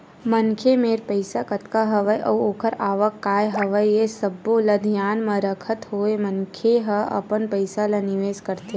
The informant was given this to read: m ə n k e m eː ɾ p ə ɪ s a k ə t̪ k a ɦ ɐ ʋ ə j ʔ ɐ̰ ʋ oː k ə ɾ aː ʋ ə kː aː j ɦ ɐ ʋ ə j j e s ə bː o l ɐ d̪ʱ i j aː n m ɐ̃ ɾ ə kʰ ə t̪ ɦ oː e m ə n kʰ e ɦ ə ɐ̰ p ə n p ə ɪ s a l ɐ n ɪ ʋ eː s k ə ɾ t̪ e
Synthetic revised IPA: m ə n kʰ e m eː ɾ p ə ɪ s a k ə t̪ k a ɦ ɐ ʋ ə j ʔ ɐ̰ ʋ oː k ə ɾ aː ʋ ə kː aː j ɦ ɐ ʋ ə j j e s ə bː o l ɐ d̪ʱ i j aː n m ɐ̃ ɾ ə kʰ ə t̪ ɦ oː e m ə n kʰ e ɦ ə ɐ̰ p ə n p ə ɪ s a l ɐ n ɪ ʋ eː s k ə ɾ t̪ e